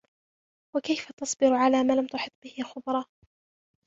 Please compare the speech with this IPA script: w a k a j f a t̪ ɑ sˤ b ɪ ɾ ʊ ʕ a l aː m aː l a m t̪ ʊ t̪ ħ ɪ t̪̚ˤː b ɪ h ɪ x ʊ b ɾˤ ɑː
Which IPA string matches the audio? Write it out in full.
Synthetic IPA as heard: w a k a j f a t̪ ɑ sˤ b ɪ ɾ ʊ ʕ a l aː m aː l a m t̪ ʊ ħ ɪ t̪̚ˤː b ɪ h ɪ x ʊ b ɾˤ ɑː